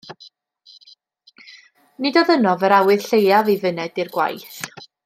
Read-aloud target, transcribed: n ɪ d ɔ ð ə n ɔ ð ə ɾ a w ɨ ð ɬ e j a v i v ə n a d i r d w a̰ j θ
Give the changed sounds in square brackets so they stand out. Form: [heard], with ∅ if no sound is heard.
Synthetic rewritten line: n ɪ d ɔ ð ə n ɔ [v] ə ɾ a w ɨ ð ɬ e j a v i v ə n [ɛ] d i r [ɡ] w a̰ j θ